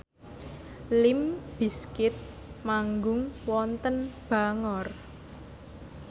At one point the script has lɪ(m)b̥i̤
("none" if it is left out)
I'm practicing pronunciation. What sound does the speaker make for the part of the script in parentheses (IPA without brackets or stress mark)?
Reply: m